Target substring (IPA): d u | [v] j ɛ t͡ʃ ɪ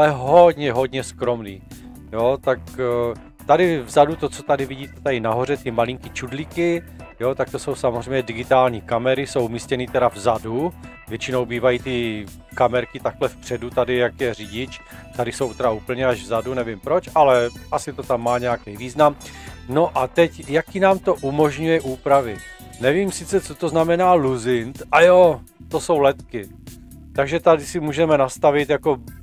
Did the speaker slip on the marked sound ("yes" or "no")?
no